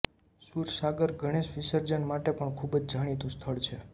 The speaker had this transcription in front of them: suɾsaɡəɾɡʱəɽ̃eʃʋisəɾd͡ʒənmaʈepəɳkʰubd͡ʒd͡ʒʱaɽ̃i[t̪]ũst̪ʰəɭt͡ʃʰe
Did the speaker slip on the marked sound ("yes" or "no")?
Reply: no